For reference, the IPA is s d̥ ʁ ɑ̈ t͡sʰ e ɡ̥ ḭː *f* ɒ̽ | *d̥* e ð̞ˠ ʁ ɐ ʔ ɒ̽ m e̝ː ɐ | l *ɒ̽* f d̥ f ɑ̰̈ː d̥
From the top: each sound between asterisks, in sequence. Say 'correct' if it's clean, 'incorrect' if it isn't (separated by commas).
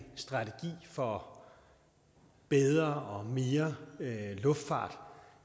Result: correct, incorrect, incorrect